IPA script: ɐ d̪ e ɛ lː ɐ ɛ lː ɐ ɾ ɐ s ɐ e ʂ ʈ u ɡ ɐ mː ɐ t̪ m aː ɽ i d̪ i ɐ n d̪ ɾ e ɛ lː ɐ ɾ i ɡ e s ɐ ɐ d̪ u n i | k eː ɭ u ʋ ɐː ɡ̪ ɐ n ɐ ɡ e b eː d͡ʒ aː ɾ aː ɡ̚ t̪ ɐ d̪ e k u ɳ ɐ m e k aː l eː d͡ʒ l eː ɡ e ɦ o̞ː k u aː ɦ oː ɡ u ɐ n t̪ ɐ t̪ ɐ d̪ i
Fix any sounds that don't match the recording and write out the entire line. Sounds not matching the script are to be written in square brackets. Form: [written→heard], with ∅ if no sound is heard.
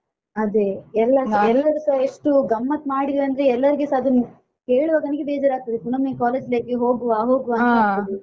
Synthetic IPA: ɐ d̪ e ɛ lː ɐ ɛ lː ɐ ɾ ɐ s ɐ e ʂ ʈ u ɡ ɐ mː ɐ t̪ m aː ɽ i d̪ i ɐ n d̪ ɾ e ɛ lː ɐ ɾ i ɡ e s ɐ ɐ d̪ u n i | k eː ɭ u ʋ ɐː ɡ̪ ɐ n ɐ ɡ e b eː d͡ʒ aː ɾ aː ɡ̚ t̪ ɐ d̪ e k u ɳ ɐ m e k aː l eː d͡ʒ l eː ɡ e ɦ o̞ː [k→ɡ] u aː ɦ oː ɡ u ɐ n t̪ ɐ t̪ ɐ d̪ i

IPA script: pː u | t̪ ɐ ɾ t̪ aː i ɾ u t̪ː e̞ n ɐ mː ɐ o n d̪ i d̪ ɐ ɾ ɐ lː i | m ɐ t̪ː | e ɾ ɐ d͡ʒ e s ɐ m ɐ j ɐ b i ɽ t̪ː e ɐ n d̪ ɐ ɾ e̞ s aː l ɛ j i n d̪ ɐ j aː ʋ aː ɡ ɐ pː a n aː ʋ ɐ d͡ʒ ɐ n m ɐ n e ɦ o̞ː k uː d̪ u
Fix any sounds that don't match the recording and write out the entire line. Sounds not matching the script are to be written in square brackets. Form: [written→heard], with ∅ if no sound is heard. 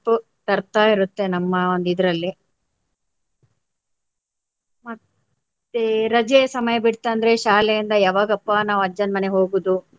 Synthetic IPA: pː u | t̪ ɐ ɾ t̪ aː i ɾ u t̪ː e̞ n ɐ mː ɐ o n d̪ i d̪ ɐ ɾ ɐ lː i | m ɐ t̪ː | e ɾ ɐ d͡ʒ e s ɐ m ɐ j ɐ b i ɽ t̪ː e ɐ n d̪ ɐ ɾ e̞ [s→ʃ] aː l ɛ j i n d̪ ɐ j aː ʋ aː ɡ ɐ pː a n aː ʋ ɐ d͡ʒ ɐ n m ɐ n e ɦ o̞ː [k→ɡ] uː d̪ u

